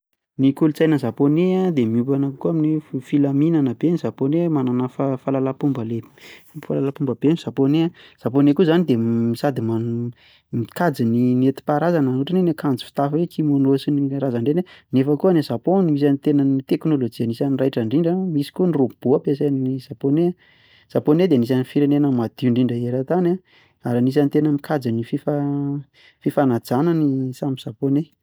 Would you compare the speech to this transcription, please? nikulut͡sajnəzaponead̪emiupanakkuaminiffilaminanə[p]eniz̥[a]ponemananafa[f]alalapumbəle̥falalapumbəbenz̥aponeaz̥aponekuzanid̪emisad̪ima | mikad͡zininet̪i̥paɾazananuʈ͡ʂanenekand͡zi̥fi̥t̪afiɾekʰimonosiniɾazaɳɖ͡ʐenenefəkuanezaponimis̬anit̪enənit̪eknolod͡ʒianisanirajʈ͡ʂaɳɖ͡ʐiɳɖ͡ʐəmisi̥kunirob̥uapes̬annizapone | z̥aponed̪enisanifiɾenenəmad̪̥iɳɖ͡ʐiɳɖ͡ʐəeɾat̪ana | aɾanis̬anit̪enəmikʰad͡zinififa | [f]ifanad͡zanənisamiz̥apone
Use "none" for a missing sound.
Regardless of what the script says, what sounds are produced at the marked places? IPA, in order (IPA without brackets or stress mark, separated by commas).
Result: b, a, f, f